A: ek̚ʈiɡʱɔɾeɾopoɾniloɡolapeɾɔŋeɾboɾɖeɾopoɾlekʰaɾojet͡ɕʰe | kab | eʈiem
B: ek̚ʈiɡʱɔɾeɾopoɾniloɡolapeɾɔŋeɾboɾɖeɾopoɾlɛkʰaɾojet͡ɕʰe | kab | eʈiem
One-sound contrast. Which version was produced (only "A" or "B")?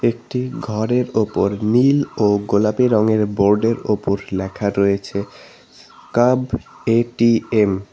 B